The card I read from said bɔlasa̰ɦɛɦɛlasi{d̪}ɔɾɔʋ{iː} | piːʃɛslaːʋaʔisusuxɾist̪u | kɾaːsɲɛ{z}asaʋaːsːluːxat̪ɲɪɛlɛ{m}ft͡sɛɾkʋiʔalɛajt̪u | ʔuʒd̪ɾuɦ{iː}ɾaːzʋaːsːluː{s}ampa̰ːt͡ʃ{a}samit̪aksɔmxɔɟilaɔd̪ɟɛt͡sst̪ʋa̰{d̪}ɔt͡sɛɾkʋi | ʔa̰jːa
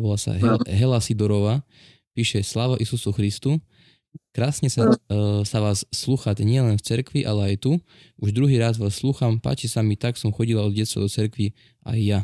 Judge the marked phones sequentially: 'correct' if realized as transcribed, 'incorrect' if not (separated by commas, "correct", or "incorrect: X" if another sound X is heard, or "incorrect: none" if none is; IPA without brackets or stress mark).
correct, incorrect: aː, incorrect: s, incorrect: n, correct, incorrect: x, incorrect: i, correct